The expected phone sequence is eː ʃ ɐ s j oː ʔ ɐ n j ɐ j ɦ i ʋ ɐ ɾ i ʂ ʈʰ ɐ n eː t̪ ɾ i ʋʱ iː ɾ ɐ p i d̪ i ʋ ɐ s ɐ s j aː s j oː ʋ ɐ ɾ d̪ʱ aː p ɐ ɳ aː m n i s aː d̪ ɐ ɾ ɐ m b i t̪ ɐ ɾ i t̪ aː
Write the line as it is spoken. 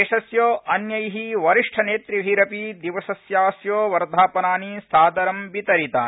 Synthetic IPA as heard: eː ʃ ɐ s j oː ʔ ɐ n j ɐ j ɦ i ʋ ɐ ɾ i ʂ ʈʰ ɐ n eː t̪ ɾ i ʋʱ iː ɾ ɐ p i d̪ i ʋ ɐ s ɐ s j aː s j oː ʋ ɐ ɾ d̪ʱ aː p ɐ n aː n i s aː d̪ ɐ ɾ ɐ m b i t̪ ɐ ɾ i t̪ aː